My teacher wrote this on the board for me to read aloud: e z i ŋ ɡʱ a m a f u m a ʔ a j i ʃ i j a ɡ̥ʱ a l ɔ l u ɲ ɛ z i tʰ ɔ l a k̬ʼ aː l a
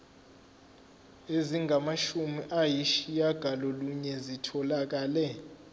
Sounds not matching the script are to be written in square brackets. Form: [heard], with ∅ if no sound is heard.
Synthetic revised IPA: e z i ŋ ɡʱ a m a [ʃ] u m [i] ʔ a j i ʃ i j a ɡ̥ʱ a l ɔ l u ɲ ɛ z i tʰ ɔ l a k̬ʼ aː l [ɛ]